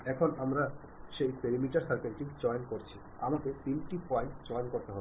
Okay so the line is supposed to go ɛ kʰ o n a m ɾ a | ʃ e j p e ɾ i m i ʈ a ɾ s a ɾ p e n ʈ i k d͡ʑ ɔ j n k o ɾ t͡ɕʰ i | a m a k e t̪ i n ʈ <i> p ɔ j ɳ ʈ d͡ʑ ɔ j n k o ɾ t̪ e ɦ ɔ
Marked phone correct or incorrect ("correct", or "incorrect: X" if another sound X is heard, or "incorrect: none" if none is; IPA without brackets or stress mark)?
correct